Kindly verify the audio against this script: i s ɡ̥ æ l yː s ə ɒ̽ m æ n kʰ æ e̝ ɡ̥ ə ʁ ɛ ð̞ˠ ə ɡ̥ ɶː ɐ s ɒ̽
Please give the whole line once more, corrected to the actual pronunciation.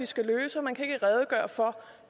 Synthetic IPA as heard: i s ɡ̥ æ l øː s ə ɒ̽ m æ n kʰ æ e̝ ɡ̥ ə ʁ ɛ ð̞ˠ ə ɡ̥ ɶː ɐ f ɒ̽